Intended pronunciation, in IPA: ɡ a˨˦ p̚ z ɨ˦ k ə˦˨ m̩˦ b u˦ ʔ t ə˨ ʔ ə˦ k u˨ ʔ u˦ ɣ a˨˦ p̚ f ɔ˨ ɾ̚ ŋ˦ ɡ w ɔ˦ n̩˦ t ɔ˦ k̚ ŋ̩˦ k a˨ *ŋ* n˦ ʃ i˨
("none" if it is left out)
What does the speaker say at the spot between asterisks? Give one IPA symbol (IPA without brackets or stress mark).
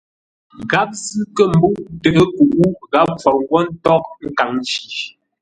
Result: ŋ